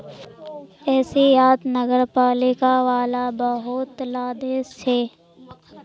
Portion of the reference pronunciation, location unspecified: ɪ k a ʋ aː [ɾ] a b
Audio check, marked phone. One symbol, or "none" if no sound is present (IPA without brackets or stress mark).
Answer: l